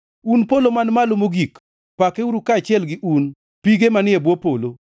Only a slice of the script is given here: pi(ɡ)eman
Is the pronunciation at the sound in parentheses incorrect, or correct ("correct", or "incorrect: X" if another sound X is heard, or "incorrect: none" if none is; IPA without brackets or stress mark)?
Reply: correct